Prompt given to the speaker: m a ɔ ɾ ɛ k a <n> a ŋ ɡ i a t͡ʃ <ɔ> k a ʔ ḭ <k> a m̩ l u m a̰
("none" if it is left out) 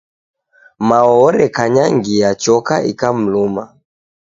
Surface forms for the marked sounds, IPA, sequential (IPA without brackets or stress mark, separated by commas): ɲ, ɔ, k